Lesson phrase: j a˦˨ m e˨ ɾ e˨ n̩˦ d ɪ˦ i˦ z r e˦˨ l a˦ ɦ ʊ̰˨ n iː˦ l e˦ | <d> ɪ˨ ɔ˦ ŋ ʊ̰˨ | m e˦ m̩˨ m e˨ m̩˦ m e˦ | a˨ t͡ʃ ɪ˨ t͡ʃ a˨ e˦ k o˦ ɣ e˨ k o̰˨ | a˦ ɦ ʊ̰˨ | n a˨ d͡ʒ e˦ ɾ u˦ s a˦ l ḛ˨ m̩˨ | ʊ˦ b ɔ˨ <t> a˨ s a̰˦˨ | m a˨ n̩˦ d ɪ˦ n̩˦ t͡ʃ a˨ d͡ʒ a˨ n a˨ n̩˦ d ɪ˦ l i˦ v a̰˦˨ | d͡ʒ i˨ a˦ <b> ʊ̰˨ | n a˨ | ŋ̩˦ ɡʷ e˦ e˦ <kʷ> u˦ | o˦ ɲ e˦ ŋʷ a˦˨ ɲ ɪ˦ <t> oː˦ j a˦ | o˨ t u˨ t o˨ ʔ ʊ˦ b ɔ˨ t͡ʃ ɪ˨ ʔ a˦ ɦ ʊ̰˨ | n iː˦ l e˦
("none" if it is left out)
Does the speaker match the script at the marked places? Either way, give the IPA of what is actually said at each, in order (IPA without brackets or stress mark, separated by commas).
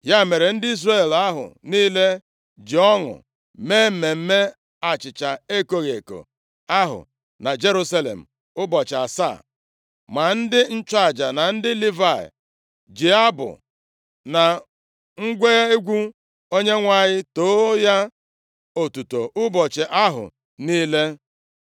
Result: d͡ʒ, t͡ʃ, b, ɡʷ, t